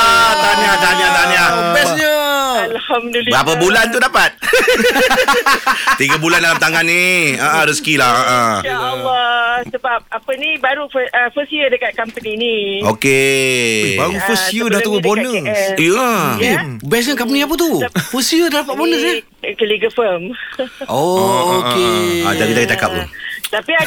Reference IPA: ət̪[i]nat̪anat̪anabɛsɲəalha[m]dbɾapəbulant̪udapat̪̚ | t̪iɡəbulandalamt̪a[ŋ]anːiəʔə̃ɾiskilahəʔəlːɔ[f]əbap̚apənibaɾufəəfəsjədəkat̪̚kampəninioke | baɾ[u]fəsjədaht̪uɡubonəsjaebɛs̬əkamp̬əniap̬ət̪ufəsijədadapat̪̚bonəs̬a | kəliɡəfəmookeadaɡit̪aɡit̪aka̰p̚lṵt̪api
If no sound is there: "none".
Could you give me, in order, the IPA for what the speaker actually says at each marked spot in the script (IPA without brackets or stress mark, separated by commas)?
a, m, ŋ, s, u